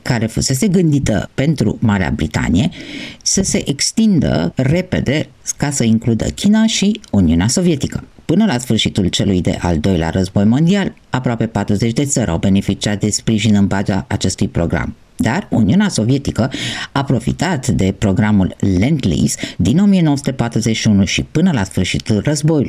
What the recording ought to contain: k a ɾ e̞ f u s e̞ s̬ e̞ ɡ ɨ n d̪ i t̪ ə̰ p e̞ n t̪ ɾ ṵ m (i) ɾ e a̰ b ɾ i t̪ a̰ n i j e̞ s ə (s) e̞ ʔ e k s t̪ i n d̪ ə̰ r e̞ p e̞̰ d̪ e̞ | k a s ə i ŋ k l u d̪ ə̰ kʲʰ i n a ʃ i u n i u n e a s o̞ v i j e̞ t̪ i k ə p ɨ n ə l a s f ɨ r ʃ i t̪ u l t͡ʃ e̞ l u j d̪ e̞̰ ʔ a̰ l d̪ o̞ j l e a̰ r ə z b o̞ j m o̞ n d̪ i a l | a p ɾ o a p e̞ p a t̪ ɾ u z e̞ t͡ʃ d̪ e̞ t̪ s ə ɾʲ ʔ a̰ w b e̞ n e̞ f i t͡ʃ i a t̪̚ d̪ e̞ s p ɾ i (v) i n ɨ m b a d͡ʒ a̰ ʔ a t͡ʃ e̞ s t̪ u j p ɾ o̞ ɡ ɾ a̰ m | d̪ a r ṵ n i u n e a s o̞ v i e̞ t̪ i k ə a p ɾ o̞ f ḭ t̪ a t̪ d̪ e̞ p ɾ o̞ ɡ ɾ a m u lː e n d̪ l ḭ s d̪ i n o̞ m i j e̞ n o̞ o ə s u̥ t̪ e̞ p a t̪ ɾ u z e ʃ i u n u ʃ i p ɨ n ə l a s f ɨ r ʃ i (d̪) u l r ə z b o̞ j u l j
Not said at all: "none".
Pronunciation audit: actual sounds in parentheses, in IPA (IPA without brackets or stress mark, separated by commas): a, s, ʒ, t̪